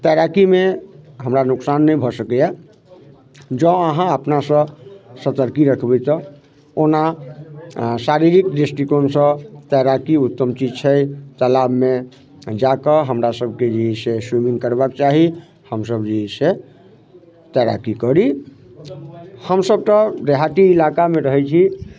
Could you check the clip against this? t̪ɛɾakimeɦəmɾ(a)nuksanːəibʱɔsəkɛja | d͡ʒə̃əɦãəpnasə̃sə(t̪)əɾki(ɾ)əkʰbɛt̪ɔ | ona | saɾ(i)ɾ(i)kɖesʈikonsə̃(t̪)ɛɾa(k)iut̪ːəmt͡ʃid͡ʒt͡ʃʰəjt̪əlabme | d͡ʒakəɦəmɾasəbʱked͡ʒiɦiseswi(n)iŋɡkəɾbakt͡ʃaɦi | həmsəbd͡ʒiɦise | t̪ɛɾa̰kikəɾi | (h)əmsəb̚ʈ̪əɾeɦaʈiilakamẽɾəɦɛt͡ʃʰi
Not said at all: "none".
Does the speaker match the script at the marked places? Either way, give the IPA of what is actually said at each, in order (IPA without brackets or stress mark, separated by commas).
a, t̪, ɾ, i, i, t̪, k, m, h